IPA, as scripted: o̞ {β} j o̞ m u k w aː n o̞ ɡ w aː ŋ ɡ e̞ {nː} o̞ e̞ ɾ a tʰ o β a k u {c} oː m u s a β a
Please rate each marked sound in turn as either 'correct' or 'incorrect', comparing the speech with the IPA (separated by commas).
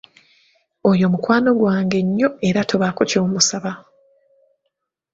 incorrect, incorrect, correct